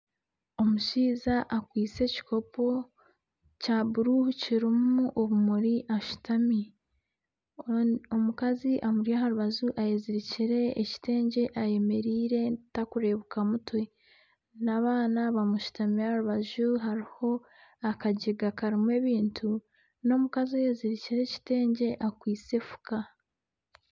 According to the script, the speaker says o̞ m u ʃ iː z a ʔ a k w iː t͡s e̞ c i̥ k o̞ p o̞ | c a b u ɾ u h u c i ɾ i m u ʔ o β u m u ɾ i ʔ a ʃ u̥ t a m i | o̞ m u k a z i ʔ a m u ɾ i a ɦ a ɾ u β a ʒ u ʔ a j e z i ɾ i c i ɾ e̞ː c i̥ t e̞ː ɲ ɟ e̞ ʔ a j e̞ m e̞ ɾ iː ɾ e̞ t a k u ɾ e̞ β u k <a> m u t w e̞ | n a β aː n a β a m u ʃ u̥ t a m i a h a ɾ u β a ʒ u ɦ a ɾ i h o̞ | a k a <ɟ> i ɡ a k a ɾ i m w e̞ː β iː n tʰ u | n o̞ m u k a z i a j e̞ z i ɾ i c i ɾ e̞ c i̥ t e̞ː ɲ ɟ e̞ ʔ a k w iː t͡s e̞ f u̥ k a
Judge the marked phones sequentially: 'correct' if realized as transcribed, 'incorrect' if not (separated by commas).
correct, correct